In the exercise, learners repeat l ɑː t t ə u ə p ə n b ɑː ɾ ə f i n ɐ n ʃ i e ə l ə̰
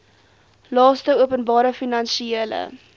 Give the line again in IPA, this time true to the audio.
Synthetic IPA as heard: l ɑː s t ə u ə p ə n b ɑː ɾ ə f i n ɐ n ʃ i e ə l ə̰